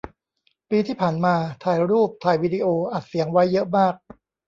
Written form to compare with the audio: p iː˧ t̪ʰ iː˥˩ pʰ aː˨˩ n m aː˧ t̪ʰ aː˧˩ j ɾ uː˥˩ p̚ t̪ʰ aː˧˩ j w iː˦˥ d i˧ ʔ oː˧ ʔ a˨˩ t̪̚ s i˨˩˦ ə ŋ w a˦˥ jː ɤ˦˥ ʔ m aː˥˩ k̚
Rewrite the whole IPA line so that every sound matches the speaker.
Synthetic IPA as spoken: p iː˧ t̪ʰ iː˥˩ pʰ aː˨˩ n m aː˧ t̪ʰ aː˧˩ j ɾ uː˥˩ p̚ t̪ʰ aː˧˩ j w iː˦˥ d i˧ ʔ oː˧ ʔ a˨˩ t̪̚ s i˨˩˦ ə ŋ w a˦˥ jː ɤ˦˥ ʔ m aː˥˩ k̚

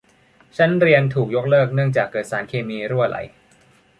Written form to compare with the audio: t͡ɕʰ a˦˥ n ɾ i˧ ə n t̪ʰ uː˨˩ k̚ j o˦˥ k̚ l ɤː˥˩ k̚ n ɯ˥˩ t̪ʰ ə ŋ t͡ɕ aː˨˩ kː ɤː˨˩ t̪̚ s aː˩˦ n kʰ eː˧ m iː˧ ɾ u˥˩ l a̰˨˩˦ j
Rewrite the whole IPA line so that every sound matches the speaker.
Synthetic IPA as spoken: t͡ɕʰ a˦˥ n ɾ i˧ ə n t̪ʰ uː˨˩ k̚ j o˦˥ k̚ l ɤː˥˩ k̚ n ɯ˥˩ ə ŋ t͡ɕ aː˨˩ kː ɤː˨˩ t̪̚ s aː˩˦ n kʰ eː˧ m iː˧ ɾ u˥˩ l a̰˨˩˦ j

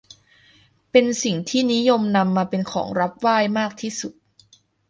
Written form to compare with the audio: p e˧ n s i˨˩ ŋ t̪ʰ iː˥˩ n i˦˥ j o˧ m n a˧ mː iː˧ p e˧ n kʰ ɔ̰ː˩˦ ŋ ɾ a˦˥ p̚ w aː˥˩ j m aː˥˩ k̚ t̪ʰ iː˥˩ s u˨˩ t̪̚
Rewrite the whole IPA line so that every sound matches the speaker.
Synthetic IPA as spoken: p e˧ n s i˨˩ ŋ t̪ʰ iː˥˩ n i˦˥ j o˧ m n a˧ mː aː˧ p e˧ n kʰ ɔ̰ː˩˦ ŋ ɾ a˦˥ p̚ w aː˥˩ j m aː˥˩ k̚ t̪ʰ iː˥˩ s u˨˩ t̪̚

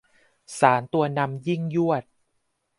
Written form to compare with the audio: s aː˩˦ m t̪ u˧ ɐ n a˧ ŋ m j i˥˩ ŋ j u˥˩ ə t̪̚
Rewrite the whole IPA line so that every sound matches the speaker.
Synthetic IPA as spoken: s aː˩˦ n t̪ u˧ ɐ n a˧ m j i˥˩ ŋ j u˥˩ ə t̪̚

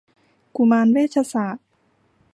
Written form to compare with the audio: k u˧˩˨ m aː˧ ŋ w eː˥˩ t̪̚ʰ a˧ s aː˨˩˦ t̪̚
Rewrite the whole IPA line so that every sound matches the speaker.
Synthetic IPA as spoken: k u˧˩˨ m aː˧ n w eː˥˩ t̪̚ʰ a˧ s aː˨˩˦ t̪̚

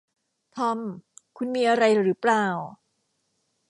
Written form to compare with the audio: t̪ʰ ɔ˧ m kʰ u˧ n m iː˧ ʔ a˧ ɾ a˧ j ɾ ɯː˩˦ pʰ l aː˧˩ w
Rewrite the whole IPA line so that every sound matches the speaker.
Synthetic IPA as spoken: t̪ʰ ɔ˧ m kʰ u˧ n m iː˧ ʔ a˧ ɾ a˧ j ɾ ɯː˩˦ p l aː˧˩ w

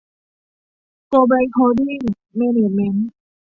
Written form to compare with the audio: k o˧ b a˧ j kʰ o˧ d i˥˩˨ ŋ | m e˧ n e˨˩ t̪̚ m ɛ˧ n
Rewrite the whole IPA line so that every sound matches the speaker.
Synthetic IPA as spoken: k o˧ b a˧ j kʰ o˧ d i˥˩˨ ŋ | m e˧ n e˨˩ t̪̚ m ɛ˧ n

